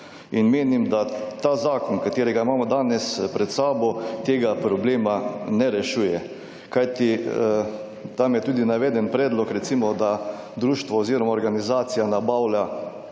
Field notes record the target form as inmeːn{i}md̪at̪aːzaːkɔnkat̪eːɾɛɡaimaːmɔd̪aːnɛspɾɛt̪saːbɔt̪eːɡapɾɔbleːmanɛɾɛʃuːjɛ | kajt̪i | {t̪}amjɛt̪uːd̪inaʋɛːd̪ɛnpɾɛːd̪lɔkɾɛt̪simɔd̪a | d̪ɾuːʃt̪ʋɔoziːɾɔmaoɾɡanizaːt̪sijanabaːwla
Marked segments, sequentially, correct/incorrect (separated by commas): correct, correct